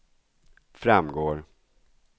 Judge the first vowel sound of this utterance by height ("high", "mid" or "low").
low